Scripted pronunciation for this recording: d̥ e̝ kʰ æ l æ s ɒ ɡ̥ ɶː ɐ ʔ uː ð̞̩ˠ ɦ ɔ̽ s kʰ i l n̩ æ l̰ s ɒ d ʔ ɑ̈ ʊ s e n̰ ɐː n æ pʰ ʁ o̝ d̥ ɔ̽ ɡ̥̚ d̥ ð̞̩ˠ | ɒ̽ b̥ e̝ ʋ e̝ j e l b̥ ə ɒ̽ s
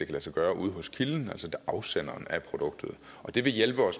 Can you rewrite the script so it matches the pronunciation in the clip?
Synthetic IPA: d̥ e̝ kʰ æ l æ s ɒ ɡ̥ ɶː ɐ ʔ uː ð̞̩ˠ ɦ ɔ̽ s kʰ i l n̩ æ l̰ s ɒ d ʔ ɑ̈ ʊ s e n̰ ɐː n æ pʰ ʁ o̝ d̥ ɔ̽ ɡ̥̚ d̥ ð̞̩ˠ | ɒ̽ d̥ e̝ ʋ e̝ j e l b̥ ə ɒ̽ s